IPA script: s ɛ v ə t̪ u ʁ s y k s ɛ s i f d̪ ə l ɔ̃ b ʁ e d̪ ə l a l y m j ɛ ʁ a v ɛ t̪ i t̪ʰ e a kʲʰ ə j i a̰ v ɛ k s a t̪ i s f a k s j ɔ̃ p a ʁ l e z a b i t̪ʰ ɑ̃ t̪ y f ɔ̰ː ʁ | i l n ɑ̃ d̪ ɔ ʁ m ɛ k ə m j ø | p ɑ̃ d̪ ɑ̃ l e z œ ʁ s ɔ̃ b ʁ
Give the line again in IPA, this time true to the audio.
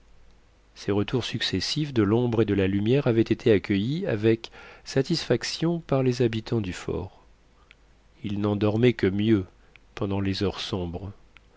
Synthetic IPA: s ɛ ʁ ə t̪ u ʁ s y k s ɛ s i f d̪ ə l ɔ̃ b ʁ e d̪ ə l a l y m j ɛ ʁ a v ɛ t̪ e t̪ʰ e a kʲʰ ə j i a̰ v ɛ k s a t̪ i s f a k s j ɔ̃ p a ʁ l e z a b i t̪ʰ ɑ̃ d̪ y f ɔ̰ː ʁ | i l n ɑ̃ d̪ ɔ ʁ m ɛ k ə m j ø | p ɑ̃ d̪ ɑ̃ l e z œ ʁ s ɔ̃ b ʁ

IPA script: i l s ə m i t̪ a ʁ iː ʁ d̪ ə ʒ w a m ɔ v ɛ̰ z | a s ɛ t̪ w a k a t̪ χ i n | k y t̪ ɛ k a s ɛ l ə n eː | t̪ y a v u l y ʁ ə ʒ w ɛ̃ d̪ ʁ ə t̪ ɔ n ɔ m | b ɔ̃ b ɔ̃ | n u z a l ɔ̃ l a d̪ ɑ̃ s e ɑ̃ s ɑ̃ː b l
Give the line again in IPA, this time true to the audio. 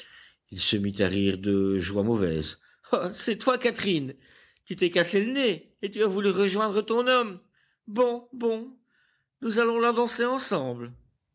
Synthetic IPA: i l s ə m i t̪ a ʁ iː ʁ d̪ ə ʒ w a m ɔ v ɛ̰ z | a s ɛ t̪ w a k a t̪ χ i n | k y t̪ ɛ k a s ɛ l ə n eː | t̪ y a v u l y ʁ ə ʒ w ɛ̃ d̪ ʁ ə t̪ ɔ̃ n ɔ m | b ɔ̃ b ɔ̃ | n u z a l ɔ̃ l a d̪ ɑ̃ s e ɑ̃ s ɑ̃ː b l

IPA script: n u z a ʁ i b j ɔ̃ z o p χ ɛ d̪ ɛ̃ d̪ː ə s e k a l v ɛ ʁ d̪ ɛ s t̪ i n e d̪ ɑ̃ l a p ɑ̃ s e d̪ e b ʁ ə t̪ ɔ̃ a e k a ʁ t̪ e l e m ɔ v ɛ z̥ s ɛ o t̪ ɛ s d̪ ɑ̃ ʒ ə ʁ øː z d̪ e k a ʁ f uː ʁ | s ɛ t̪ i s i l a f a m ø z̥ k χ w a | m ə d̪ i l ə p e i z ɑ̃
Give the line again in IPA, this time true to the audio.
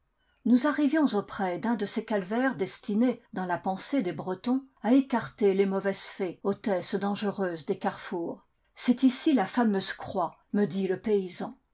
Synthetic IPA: n u z a ʁ i v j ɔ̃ z o p χ ɛ d̪ ɛ̃ d̪ ə s e k a l v ɛ ʁ d̪ ɛ s t̪ i n e d̪ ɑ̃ l a p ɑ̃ s e d̪ e b ʁ ə t̪ ɔ̃ a e k a ʁ t̪ e l e m ɔ v ɛ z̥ f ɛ o t̪ ɛ s d̪ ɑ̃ ʒ ə ʁ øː z d̪ e k a ʁ f uː ʁ | s ɛ t̪ i s i l a f a m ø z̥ k χ w a | m ə d̪ i l ə p e i z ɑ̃

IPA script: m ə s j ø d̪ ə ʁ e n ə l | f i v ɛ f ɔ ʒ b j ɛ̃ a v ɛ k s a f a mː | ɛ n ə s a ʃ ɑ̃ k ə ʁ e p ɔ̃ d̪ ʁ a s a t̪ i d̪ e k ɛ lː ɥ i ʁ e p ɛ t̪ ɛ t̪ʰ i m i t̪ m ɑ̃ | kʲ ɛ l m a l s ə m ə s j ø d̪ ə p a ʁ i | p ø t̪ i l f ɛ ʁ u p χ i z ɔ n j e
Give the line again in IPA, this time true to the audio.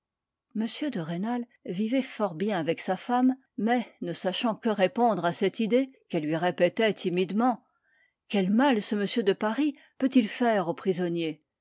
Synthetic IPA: m ə s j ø d̪ ə ʁ e n a l | v i v ɛ f ɔ ʁ b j ɛ̃ a v ɛ k s a f a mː | ɛ n ə s a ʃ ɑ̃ k ə ʁ e p ɔ̃ d̪ ʁ a s ɛ t̪ i d̪ e k ɛ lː ɥ i ʁ e p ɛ t̪ ɛ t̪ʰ i m i d̪ m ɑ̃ | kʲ ɛ l m a l s ə m ə s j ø d̪ ə p a ʁ i | p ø t̪ i l f ɛ ʁ o p χ i z ɔ n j e

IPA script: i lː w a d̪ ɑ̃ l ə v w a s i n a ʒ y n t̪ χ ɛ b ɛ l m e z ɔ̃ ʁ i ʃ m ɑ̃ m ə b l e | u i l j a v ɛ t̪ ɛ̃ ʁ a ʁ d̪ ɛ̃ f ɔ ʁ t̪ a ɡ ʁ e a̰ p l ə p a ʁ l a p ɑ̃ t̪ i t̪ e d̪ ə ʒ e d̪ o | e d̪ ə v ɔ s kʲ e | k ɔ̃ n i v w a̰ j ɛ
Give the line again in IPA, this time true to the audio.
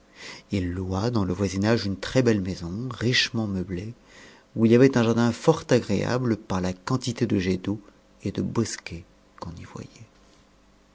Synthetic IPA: i lː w a d̪ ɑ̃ l ə v w a z i n a ʒ y n t̪ χ ɛ b ɛ l m e z ɔ̃ ʁ i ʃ m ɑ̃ m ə b l e | u i l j a v ɛ t̪ ɛ̃ ʒ a ʁ d̪ ɛ̃ f ɔ ʁ t̪ a ɡ ʁ e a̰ b l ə p a ʁ l a k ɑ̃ t̪ i t̪ e d̪ ə ʒ e d̪ o | e d̪ ə b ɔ s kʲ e | k ɔ̃ n i v w a̰ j ɛ

